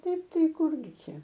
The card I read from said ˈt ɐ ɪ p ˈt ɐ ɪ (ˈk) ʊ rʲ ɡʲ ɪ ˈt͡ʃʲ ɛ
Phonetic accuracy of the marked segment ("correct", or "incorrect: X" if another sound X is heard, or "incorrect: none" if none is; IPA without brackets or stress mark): correct